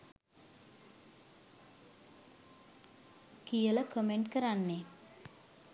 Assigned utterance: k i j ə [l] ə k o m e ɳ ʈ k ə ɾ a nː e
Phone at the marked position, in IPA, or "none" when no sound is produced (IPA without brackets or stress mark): l